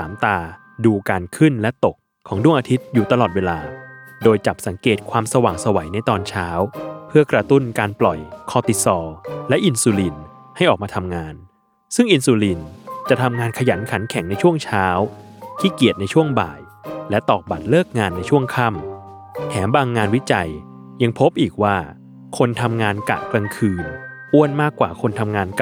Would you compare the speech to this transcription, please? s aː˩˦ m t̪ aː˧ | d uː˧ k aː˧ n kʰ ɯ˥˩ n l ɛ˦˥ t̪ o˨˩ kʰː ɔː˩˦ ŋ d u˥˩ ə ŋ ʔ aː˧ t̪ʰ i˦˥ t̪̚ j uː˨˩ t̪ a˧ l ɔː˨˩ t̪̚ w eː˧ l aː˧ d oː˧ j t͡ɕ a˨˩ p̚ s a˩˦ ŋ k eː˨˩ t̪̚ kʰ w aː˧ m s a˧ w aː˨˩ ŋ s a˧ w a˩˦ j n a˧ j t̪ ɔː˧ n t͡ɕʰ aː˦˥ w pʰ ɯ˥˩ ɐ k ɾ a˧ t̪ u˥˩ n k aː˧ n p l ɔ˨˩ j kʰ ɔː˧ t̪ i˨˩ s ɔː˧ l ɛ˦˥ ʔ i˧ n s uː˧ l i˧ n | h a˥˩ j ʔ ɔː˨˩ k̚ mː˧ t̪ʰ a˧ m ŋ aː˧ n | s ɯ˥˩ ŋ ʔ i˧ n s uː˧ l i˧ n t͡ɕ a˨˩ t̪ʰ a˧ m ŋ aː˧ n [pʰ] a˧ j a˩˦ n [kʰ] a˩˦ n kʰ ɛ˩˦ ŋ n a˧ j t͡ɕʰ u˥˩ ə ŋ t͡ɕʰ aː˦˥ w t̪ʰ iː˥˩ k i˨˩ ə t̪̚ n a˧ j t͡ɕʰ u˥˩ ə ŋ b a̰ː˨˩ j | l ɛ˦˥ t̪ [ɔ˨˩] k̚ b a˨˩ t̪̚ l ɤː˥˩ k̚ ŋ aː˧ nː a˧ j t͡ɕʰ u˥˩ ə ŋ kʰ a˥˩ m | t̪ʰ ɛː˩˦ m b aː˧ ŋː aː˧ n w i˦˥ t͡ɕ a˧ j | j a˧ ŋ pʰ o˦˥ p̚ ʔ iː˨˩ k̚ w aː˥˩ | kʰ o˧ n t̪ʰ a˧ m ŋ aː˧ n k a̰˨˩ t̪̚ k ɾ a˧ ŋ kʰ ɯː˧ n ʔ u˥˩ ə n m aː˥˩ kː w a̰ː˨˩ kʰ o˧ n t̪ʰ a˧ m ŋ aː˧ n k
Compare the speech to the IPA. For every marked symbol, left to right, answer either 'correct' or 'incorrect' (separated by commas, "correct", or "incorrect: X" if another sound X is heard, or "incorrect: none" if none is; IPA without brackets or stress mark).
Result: incorrect: kʰ, correct, incorrect: ɔː˨˩